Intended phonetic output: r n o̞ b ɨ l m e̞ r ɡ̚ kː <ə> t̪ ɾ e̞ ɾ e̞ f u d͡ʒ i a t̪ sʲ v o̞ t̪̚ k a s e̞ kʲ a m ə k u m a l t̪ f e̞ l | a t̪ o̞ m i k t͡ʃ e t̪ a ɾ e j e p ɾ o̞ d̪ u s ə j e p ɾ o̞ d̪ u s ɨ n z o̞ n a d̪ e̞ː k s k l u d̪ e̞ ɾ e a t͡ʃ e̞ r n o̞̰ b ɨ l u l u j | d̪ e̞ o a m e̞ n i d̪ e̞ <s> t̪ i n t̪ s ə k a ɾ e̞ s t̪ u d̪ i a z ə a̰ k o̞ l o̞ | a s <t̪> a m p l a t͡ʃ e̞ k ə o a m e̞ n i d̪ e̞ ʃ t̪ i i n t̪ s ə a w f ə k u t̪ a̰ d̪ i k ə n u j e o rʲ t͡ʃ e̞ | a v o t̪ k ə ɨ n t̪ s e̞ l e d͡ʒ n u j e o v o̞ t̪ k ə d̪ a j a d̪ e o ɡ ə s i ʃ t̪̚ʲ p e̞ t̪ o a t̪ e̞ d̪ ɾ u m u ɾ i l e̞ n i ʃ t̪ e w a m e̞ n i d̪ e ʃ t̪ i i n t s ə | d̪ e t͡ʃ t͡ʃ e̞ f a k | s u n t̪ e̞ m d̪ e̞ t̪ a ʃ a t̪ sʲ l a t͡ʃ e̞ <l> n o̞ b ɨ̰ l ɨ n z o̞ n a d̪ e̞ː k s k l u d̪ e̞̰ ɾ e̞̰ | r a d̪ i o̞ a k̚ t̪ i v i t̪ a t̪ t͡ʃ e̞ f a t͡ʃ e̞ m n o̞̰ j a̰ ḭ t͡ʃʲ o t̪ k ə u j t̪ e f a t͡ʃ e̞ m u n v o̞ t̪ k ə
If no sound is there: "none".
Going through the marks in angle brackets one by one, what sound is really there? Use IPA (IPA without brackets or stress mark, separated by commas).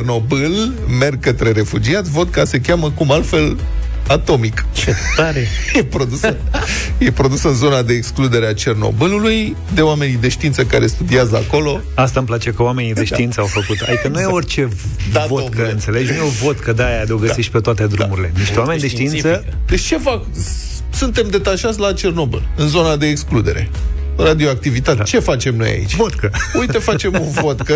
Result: ə, ʃ, t̪, r